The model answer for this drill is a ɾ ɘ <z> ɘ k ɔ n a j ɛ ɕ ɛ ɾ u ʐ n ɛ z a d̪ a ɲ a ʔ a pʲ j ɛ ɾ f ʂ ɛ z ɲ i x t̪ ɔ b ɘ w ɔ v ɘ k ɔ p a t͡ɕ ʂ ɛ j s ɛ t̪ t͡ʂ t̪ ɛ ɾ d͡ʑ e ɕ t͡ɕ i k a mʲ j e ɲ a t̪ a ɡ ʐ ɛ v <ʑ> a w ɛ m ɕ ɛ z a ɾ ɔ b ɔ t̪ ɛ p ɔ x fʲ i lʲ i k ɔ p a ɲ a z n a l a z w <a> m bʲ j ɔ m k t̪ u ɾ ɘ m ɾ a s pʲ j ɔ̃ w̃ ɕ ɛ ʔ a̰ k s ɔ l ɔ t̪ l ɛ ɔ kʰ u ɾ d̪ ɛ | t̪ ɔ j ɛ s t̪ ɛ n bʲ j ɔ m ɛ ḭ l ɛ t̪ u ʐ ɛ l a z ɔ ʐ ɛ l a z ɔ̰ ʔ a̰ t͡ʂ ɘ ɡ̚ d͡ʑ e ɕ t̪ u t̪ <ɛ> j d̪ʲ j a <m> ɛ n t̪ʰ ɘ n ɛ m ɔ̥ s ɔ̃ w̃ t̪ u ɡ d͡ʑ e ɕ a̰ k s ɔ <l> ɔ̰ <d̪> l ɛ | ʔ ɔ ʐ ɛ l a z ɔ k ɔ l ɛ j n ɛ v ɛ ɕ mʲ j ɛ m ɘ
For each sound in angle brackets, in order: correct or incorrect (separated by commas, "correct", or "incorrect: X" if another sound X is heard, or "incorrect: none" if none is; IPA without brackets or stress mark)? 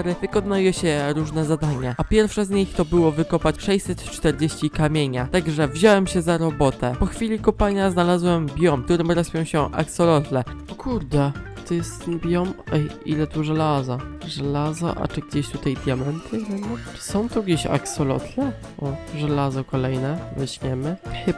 incorrect: v, correct, incorrect: ɛ, incorrect: a, correct, correct, incorrect: t̪